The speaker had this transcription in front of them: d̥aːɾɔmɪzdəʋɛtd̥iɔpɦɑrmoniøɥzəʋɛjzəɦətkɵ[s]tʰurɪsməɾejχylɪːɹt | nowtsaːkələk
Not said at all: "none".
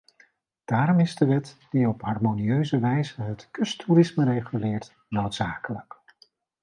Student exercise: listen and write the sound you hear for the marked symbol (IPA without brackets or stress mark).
s